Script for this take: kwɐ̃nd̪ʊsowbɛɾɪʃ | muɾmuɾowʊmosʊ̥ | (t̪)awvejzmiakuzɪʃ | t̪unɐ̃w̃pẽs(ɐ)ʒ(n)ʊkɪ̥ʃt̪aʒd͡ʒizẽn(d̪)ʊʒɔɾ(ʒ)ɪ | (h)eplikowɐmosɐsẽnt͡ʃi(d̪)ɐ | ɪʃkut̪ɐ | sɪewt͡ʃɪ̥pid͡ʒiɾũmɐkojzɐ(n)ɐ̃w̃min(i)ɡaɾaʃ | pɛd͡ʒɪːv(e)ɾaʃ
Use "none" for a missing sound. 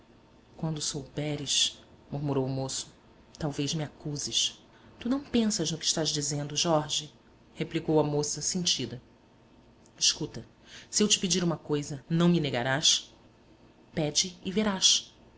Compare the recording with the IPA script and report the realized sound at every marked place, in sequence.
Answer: t̪, ɐ, n, d̪, ʒ, h, d̪, n, e, e

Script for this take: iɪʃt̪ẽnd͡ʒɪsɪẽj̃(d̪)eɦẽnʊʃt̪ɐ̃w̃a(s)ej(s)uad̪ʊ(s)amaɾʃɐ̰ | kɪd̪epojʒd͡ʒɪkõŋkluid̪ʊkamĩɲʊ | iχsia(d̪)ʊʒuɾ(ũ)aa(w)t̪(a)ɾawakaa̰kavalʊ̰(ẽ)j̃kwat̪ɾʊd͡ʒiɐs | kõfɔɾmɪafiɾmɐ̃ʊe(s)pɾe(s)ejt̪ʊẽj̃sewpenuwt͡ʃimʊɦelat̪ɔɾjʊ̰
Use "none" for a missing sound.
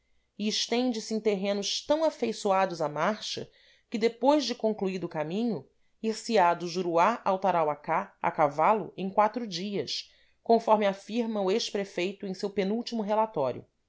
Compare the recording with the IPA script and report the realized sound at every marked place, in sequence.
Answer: t̪, f, s, z, d̪, u, w, a, ẽ, ʃ, f

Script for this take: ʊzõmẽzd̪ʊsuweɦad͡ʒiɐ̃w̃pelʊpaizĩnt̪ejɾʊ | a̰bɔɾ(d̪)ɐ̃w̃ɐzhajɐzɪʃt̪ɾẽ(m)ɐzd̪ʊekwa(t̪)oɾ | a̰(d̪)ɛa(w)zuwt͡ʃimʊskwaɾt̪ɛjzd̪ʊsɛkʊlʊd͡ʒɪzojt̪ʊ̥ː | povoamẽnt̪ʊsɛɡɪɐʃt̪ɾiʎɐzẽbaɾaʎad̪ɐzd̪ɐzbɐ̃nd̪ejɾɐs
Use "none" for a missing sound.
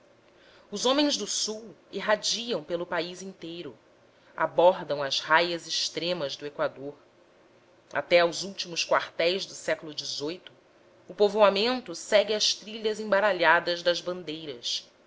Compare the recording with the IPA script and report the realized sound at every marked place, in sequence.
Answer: d̪, m, d̪, t̪, w

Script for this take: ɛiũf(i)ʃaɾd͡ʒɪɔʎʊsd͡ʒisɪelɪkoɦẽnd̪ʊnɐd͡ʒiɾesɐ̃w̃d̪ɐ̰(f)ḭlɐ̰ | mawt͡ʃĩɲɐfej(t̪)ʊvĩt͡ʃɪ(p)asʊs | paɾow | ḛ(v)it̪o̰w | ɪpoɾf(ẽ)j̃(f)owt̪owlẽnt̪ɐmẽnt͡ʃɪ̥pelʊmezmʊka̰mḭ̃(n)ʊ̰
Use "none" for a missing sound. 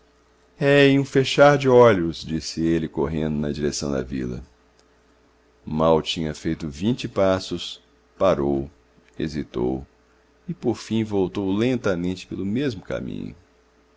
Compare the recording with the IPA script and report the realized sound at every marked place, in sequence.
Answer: e, v, t̪, p, z, ĩ, v, ɲ

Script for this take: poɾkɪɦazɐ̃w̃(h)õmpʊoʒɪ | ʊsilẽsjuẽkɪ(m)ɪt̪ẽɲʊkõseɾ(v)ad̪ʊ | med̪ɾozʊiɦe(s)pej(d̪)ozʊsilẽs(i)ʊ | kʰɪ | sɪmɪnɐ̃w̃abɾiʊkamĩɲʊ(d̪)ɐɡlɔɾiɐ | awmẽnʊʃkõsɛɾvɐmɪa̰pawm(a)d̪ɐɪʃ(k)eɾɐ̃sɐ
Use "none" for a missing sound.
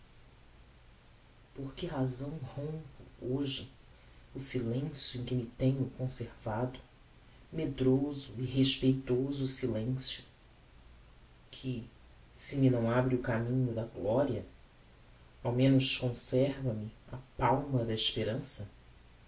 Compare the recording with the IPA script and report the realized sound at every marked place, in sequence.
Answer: h, m, v, ʃ, t̪, j, d̪, ɐ, p

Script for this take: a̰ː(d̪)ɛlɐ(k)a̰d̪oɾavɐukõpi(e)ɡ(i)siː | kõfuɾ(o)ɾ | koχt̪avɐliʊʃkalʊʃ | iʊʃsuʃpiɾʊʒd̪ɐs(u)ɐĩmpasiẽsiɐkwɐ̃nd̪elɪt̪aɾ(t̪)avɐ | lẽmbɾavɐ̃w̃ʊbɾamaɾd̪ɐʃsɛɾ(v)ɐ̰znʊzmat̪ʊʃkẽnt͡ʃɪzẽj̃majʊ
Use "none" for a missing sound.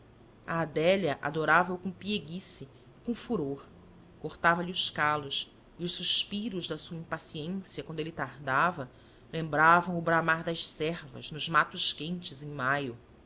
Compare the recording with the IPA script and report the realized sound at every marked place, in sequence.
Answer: d̪, ʔ, e, i, o, u, d̪, v

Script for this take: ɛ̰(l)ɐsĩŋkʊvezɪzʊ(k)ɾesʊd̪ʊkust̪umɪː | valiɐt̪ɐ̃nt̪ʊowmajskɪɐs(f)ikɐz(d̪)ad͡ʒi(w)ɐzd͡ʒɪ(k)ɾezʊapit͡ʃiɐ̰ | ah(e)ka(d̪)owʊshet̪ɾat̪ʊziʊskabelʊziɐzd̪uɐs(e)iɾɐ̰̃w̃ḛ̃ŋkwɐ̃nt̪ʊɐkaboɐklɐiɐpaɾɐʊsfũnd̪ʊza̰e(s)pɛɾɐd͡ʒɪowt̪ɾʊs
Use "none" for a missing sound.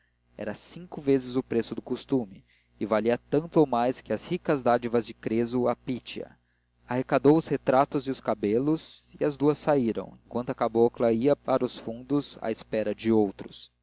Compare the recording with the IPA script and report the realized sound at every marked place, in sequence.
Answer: ɾ, p, h, d̪, v, k, e, d̪, a, s

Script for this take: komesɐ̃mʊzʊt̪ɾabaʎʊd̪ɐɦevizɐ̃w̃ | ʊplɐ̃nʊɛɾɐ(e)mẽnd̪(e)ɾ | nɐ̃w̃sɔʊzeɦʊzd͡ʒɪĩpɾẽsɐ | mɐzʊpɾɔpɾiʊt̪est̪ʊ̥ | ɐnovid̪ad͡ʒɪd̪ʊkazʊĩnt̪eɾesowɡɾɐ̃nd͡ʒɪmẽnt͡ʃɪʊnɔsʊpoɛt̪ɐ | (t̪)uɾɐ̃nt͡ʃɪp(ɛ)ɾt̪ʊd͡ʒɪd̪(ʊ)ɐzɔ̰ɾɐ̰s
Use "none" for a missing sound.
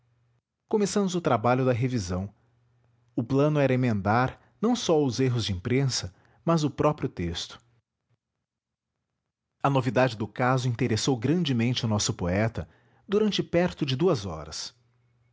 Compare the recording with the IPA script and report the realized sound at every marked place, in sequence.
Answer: e, a, d̪, ɛ, u

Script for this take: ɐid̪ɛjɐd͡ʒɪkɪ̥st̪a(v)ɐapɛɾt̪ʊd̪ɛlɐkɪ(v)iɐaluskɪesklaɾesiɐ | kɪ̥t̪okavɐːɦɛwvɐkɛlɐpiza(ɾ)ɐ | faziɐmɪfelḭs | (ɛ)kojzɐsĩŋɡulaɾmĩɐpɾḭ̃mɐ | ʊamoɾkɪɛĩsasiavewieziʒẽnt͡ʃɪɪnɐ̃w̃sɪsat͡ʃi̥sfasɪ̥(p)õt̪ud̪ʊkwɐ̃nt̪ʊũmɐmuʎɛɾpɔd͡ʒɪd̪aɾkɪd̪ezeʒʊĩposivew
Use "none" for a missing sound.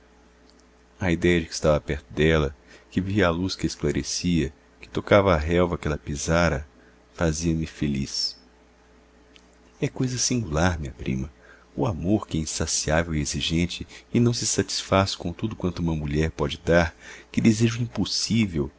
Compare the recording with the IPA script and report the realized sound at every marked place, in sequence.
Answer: v, v, ɾ, ɛ, k

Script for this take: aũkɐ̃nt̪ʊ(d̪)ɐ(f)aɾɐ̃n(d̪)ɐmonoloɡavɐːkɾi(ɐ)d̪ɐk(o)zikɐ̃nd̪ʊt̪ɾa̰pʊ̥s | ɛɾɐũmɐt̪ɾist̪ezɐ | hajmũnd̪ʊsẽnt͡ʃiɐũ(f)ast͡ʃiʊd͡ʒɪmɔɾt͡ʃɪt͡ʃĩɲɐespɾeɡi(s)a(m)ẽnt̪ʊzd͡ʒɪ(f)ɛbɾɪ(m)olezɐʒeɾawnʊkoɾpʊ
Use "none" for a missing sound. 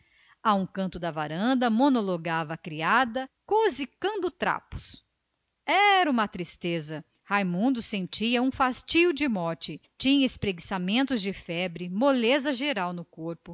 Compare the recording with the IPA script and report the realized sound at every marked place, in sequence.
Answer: d̪, v, d̪, a, o, f, s, m, f, m

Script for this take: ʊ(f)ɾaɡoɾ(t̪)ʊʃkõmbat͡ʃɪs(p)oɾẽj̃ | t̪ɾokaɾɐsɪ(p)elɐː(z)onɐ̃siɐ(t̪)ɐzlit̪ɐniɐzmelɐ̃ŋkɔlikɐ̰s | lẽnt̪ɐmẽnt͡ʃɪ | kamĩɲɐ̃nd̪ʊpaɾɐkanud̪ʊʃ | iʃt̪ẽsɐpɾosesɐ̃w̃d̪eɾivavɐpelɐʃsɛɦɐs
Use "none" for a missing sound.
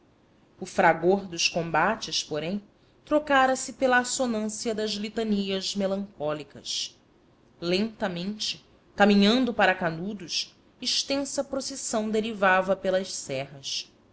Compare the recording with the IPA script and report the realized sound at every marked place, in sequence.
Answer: f, d̪, p, p, s, d̪

